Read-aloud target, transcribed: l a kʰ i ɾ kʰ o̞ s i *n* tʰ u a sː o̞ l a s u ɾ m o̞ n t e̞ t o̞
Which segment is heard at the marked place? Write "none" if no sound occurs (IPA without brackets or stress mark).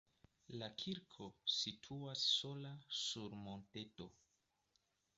none